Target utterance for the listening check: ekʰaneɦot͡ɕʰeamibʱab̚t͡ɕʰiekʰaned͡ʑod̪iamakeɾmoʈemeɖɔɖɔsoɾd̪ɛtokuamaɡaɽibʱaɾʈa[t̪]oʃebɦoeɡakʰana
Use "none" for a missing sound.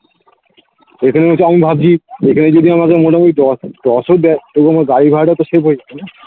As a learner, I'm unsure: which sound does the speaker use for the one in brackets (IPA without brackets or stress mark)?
t̪